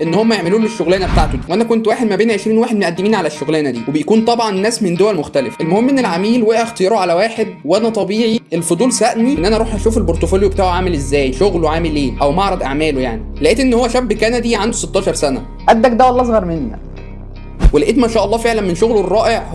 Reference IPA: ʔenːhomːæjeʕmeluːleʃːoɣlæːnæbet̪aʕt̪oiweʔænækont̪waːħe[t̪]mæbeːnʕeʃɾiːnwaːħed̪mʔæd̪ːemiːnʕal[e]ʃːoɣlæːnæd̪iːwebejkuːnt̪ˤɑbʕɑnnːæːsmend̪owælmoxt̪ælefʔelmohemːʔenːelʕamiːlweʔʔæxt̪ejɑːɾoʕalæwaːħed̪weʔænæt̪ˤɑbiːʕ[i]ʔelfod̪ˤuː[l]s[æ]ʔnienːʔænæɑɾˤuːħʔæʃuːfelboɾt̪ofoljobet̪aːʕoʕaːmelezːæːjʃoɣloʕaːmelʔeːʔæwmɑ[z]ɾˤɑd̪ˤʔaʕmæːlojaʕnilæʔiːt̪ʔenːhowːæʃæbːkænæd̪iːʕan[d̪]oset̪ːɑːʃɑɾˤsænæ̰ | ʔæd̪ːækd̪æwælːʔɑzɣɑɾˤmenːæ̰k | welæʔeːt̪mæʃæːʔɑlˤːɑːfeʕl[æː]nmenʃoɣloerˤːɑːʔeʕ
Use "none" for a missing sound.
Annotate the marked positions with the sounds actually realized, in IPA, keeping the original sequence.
d̪, æ, i, l, æ, ʕ, d̪, æ

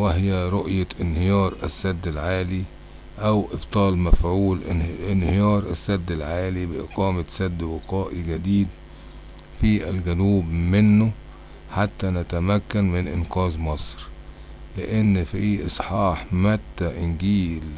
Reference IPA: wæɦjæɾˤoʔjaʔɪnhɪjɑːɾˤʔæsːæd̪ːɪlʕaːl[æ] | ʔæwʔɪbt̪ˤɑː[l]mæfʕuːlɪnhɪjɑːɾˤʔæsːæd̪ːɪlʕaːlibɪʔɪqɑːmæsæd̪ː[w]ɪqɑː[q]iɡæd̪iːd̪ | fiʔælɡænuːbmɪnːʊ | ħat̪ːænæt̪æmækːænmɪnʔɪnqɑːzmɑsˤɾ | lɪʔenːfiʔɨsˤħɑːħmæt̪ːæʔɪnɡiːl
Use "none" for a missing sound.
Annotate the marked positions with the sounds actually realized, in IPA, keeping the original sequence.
i, l, w, ʔ

